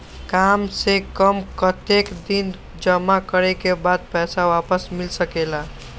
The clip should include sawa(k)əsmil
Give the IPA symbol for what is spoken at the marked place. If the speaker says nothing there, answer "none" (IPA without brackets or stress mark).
p